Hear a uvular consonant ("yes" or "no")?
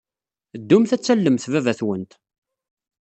no